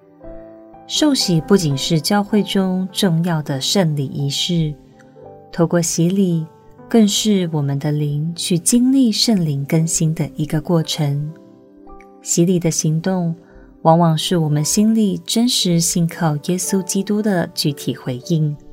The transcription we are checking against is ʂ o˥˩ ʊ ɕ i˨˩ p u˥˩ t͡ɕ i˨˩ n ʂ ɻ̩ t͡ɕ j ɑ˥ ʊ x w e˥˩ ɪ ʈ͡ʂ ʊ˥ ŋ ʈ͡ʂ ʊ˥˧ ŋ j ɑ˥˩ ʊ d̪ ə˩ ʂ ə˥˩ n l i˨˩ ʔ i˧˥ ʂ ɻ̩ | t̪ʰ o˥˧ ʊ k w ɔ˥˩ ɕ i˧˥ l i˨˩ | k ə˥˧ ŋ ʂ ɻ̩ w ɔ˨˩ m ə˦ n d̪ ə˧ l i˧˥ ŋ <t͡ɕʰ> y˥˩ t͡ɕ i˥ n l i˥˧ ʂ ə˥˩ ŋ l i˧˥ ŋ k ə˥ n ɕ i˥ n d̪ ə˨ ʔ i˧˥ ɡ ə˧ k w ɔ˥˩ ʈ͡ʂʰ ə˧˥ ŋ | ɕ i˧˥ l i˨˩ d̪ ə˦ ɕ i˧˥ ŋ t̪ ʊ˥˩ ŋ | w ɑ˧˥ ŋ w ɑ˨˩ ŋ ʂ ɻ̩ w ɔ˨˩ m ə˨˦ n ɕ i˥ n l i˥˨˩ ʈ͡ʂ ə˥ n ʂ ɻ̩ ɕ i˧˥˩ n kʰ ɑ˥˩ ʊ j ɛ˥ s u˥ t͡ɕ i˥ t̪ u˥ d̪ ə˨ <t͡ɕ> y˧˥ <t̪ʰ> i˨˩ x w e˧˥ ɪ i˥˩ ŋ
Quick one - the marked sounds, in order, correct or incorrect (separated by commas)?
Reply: correct, correct, correct